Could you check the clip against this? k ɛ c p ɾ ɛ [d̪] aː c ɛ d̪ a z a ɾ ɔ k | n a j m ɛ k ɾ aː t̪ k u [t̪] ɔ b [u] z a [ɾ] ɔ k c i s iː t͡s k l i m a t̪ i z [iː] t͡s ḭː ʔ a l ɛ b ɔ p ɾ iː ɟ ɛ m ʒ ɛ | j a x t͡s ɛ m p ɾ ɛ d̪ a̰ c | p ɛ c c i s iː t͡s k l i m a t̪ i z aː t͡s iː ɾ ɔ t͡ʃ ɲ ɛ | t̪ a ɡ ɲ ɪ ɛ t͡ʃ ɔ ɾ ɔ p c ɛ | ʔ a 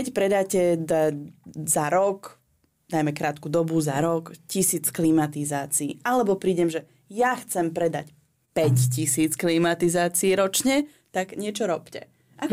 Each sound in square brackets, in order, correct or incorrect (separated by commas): correct, incorrect, correct, correct, incorrect